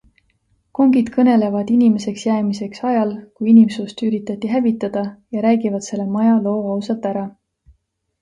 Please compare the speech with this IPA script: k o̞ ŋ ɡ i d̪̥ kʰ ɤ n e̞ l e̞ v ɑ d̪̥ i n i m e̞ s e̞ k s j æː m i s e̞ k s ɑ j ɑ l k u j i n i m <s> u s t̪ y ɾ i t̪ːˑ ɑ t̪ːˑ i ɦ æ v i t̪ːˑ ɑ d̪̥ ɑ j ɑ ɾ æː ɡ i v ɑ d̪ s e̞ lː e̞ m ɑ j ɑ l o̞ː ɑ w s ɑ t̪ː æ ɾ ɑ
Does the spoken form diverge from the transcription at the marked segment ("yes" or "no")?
no